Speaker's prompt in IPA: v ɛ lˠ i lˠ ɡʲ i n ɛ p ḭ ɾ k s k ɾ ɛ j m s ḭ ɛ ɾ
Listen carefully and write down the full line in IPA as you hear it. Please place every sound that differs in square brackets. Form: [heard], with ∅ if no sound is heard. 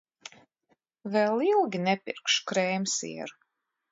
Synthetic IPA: v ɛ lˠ i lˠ ɡʲ i n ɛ p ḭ ɾ k [ʃ] k ɾ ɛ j m s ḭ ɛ ɾ